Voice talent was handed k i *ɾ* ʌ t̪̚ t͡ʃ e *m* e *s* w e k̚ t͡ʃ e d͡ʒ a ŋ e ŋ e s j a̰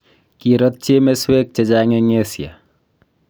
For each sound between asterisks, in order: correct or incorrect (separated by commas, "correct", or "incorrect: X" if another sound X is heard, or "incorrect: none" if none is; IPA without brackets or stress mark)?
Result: correct, correct, correct